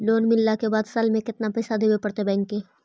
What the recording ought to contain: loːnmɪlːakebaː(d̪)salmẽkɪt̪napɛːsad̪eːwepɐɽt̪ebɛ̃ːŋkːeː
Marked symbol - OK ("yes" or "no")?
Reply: yes